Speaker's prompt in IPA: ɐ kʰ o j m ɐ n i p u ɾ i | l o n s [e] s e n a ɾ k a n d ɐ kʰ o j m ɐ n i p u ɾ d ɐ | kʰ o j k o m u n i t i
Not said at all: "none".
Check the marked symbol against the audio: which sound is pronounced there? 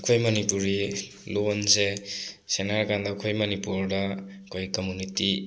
e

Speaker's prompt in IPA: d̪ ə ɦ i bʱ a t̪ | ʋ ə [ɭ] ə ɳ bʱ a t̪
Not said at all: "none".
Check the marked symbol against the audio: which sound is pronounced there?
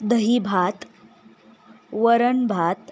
ɾ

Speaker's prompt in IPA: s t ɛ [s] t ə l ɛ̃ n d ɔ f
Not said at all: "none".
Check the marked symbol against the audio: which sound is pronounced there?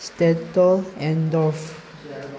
none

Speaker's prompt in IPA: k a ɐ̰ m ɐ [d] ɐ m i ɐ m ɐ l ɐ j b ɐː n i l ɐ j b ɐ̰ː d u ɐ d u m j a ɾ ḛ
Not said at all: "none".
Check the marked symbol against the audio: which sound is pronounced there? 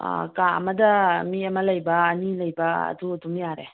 d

